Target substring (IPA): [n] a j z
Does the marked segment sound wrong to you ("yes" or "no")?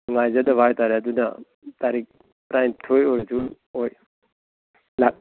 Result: yes